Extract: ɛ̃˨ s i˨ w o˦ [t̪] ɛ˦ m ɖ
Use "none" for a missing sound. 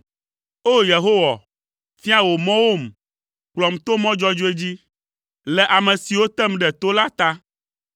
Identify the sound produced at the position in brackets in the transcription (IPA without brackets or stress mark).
t̪